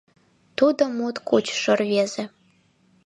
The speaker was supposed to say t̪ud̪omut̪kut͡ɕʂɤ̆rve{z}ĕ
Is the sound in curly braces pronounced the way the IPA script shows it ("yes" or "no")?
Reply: yes